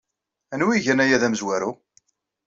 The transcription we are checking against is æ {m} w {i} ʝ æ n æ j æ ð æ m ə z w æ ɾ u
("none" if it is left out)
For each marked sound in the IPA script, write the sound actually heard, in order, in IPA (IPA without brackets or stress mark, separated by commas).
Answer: n, i